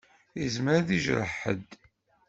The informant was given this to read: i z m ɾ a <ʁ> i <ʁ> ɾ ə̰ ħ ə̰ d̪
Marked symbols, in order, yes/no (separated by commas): no, no